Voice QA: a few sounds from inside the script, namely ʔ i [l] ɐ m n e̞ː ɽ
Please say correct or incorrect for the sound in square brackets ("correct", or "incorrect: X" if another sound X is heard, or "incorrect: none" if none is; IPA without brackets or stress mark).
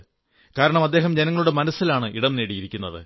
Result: incorrect: ɽ